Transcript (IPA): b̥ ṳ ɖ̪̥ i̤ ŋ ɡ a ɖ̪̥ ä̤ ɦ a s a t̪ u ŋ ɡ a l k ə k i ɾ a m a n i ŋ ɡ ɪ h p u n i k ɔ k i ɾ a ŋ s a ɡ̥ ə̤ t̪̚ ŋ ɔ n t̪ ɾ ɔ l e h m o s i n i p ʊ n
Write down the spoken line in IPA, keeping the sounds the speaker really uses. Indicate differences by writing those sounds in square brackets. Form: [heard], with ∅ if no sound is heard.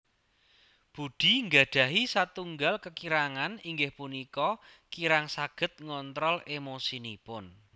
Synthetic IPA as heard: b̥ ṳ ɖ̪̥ i̤ ŋ ɡ a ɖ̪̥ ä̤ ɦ [i] s a t̪ u ŋ ɡ a l k ə k i ɾ a [ŋ] a n i ŋ ɡ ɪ h p u n i k ɔ k i ɾ a ŋ s a ɡ̥ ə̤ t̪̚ ŋ ɔ n t̪ ɾ ɔ l e [∅] m o s i n i p ʊ n